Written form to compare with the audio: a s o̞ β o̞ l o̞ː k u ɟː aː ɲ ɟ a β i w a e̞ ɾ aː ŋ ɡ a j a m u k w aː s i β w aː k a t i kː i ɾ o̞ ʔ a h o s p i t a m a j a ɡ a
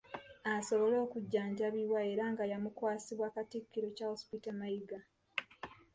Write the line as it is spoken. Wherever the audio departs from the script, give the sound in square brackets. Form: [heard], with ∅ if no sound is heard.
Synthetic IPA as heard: a s o̞ β o̞ l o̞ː k u ɟː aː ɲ ɟ a β i w a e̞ ɾ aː ŋ ɡ a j a m u k w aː s i β w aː k a t i kː i ɾ o̞ [c] a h o s p i t a m a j [i] ɡ a

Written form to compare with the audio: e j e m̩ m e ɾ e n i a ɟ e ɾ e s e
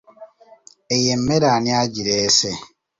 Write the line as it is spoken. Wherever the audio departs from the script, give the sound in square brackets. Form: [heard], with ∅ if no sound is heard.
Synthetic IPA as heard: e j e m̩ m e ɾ [a] n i a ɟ [i] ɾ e s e

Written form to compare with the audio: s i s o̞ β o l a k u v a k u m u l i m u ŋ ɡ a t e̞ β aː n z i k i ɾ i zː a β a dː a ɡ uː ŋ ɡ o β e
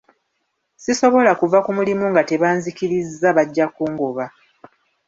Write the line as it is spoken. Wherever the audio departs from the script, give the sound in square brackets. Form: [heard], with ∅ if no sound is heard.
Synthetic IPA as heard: s i s o̞ β o l a k u v a k u m u l i m u ŋ ɡ a t e̞ β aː n z i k i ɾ i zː a β a [ɟː] a [k] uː ŋ ɡ o β [a]

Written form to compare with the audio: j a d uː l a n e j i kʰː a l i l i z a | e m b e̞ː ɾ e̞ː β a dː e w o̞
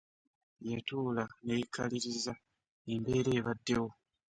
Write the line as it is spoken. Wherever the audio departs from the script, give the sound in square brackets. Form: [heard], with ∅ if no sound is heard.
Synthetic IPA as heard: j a [t] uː l a n e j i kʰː a l i [ɾ] i z a | e m b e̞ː ɾ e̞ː β a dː e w o̞

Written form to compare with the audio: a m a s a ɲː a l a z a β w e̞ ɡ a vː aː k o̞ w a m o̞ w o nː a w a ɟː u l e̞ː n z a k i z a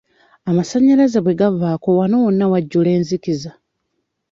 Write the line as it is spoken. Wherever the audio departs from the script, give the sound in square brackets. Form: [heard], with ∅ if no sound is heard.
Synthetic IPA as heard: a m a s a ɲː a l a z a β w e̞ ɡ a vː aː k o̞ w a [n] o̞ w o nː a w a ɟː u l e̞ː n z [i] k i z a

